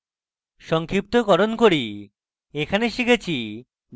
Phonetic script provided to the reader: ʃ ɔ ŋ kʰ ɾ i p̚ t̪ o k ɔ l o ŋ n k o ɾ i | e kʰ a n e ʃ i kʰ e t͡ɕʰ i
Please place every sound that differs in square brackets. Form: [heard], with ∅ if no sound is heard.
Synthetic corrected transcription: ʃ ɔ ŋ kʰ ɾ i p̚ t̪ o k ɔ [ɾ] o [∅] n k o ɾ i | e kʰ a n e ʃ i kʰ e t͡ɕʰ i